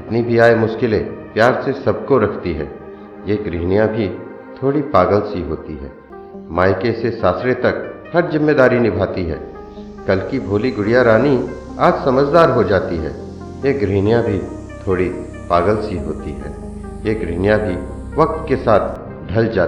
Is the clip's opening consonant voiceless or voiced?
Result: voiceless